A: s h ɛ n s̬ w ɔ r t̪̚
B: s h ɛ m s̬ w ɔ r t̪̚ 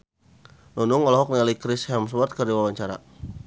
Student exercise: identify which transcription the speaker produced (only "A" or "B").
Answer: B